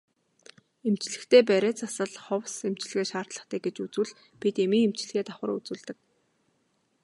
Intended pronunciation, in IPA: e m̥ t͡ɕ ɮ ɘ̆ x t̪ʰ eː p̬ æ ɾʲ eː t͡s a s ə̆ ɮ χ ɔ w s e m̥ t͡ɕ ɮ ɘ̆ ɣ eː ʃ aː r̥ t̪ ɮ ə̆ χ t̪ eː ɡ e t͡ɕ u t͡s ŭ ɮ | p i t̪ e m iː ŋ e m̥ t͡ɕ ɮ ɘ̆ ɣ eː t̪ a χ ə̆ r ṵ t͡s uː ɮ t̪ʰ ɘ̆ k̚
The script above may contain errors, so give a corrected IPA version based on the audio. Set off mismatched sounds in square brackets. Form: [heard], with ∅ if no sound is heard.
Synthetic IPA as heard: e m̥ t͡ɕ ɮ ɘ̆ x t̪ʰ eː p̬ æ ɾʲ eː t͡s a s ə̆ ɮ χ ɔ w s e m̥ t͡ɕ ɮ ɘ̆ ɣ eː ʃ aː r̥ t̪ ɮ ə̆ χ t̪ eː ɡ e t͡ɕ u t͡s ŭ ɮ | p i t̪ e m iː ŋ e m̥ t͡ɕ ɮ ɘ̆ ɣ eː t̪ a χ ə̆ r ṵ t͡s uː ɮ [t̪] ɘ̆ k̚